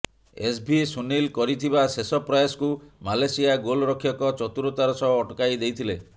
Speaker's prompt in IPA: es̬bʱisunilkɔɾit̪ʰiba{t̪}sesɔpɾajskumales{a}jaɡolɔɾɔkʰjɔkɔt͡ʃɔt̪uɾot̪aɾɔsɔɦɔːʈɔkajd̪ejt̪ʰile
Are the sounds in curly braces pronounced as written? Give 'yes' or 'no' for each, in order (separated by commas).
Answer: no, no